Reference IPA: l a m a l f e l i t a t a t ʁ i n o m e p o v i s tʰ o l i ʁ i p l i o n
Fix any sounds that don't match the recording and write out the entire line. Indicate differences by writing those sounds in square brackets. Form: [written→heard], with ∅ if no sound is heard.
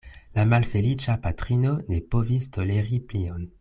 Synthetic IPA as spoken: l a m a l f e l i [t→t͡ʃ] a [t→p] a t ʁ i n o [m→n] e p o v i s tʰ o l [i→e] ʁ i p l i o n